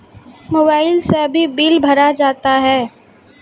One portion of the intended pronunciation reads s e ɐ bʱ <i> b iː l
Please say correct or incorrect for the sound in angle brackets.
correct